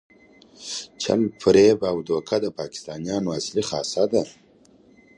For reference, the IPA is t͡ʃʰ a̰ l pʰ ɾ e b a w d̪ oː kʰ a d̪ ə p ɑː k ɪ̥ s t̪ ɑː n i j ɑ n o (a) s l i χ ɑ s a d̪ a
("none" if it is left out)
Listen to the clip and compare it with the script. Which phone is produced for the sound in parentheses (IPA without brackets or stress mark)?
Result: a